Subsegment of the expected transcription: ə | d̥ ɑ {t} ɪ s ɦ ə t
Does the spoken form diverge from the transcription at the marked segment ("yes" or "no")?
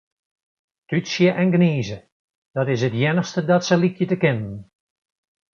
no